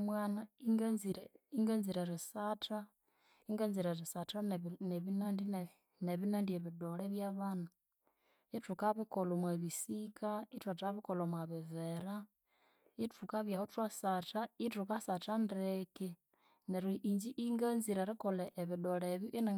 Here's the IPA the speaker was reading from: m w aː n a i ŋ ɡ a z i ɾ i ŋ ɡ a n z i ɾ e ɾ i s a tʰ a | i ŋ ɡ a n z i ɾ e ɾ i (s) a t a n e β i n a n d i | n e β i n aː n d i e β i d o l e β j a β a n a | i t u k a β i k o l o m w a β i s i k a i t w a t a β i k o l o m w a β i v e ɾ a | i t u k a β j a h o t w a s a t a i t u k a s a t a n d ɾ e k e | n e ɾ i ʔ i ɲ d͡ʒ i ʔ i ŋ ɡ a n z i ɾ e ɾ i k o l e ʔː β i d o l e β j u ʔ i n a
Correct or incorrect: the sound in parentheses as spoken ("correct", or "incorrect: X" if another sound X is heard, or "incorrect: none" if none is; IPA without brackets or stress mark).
correct